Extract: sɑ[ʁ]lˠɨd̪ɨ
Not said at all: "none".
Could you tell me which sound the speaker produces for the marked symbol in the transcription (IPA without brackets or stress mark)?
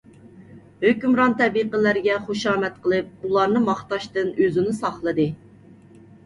χ